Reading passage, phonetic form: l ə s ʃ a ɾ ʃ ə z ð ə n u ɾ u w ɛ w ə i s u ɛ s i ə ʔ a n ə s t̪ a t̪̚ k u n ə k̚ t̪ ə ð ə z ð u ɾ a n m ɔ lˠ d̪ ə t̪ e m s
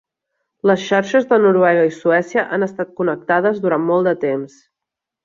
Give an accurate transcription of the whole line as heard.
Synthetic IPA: l ə s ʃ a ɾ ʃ ə z ð ə n u ɾ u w ɛ ɣ ə i s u ɛ s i ə ʔ a n ə s t̪ a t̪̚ k u n ə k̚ t̪ a ð ə z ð u ɾ a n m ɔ lˠ d̪ ə t̪ e m s